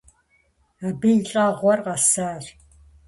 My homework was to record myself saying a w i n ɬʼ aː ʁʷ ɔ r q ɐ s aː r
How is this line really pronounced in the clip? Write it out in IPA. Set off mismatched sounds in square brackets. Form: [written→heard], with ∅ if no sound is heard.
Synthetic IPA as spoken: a [w→b] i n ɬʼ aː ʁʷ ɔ r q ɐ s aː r